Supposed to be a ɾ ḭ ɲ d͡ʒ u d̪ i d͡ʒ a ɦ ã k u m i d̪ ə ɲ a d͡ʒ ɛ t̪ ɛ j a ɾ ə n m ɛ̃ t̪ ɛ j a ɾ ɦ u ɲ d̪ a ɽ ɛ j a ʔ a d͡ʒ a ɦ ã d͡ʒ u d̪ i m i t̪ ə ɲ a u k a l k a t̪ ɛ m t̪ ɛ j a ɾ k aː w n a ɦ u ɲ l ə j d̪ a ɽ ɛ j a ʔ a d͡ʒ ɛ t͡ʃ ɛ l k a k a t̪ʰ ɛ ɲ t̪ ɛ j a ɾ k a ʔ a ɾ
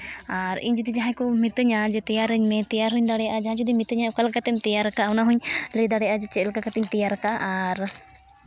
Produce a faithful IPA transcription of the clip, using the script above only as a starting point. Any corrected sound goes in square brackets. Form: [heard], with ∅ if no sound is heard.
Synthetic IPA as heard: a ɾ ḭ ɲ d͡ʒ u d̪ i d͡ʒ a ɦ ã k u m i [t̪] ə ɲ a d͡ʒ ɛ t̪ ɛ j a ɾ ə [ɲ] m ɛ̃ t̪ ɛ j a ɾ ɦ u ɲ d̪ a ɽ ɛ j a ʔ a d͡ʒ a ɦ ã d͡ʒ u d̪ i m i t̪ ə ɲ a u k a l k a t̪ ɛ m t̪ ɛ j a ɾ k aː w n a ɦ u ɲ l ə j d̪ a ɽ ɛ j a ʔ a d͡ʒ ɛ t͡ʃ ɛ l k a k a [t̪] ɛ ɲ t̪ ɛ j a ɾ k a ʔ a ɾ